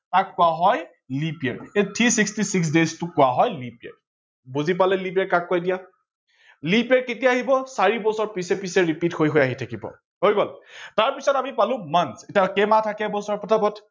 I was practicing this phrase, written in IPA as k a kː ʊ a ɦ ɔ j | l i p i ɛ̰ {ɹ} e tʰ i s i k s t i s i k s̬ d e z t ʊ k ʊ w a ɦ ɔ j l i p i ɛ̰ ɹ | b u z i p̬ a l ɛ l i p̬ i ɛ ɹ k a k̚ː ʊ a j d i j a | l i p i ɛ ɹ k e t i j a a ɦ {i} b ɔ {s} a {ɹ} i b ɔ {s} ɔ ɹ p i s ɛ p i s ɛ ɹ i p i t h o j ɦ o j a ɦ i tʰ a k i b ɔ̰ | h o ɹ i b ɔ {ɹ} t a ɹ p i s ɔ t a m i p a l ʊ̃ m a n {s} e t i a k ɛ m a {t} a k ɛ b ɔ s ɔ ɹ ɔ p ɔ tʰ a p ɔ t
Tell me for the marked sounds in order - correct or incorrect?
correct, correct, correct, correct, correct, incorrect, correct, incorrect

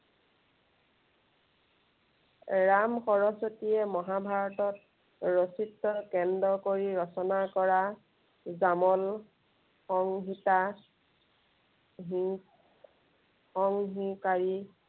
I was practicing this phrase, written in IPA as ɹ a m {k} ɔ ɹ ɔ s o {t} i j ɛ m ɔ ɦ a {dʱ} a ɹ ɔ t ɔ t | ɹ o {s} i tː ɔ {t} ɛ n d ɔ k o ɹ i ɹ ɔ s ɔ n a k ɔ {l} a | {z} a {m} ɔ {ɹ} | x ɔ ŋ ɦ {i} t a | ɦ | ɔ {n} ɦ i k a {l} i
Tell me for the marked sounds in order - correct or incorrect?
incorrect, correct, incorrect, correct, incorrect, incorrect, correct, correct, incorrect, correct, incorrect, incorrect

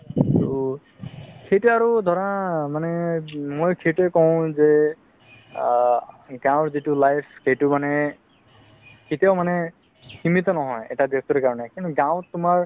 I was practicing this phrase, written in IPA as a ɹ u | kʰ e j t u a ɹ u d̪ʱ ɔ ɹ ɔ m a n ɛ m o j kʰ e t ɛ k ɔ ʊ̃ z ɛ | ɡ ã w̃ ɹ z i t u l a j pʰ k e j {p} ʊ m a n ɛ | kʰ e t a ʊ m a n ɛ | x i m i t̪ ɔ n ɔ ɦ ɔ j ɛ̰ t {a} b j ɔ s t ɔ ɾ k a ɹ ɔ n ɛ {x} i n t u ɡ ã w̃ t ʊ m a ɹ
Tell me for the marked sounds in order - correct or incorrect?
incorrect, correct, incorrect

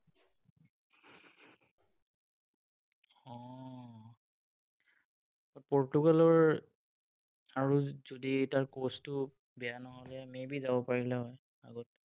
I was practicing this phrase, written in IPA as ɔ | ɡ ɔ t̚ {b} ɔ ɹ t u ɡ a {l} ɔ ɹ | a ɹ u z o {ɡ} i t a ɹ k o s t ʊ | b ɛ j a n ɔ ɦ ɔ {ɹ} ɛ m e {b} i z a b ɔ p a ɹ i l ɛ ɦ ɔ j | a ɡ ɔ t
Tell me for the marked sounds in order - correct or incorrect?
incorrect, correct, incorrect, incorrect, correct

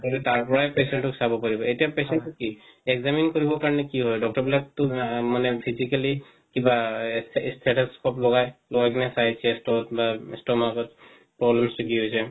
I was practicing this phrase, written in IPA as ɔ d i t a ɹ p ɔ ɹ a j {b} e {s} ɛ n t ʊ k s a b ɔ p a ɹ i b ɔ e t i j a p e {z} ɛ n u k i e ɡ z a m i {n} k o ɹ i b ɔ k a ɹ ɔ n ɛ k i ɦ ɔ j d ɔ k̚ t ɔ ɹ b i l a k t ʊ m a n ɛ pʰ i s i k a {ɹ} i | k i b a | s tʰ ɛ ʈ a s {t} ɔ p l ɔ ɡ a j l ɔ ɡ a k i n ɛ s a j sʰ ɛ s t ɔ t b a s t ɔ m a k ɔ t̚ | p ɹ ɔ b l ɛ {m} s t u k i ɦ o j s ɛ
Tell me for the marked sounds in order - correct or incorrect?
incorrect, correct, incorrect, correct, incorrect, incorrect, correct

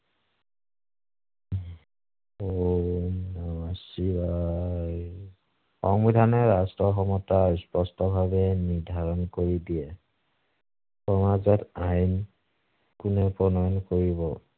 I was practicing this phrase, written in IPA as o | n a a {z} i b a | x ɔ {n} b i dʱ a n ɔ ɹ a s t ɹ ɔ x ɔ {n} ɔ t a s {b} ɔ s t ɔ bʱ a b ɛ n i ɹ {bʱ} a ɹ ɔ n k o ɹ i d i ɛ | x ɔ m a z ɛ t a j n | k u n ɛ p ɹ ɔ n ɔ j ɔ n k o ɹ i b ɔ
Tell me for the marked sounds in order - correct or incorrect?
incorrect, incorrect, incorrect, incorrect, incorrect

